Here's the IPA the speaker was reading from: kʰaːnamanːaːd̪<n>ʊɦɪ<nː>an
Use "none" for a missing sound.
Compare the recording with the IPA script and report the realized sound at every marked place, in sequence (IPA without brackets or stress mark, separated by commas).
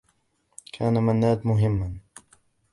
m, mː